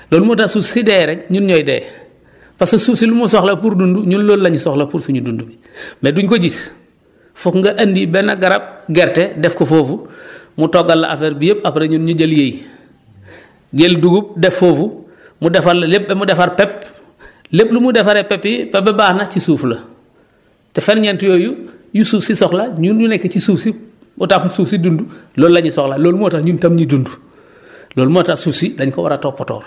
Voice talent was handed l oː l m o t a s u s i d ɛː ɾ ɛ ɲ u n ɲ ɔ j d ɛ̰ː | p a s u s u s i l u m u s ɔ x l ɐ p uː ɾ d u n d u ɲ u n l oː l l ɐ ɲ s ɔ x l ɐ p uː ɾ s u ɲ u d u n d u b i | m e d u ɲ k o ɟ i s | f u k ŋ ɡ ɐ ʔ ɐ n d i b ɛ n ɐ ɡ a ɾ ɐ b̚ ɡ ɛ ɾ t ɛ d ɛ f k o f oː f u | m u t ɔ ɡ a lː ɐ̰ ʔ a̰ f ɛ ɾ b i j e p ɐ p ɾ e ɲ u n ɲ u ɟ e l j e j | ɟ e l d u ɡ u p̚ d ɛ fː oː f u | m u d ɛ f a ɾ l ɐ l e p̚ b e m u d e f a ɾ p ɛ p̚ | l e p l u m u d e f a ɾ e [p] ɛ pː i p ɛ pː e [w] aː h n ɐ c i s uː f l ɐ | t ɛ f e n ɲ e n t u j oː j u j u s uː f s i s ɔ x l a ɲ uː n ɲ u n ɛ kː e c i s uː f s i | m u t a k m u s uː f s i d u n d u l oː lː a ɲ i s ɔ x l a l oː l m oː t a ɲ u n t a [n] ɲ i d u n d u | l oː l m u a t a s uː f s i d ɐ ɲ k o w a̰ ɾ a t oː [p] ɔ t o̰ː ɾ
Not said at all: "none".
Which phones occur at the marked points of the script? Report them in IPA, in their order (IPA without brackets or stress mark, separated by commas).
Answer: p, b, m, p